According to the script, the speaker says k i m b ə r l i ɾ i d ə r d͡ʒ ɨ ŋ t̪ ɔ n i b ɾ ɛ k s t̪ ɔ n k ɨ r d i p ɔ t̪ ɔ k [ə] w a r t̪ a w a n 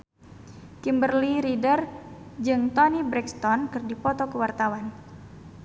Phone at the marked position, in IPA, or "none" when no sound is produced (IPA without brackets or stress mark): ə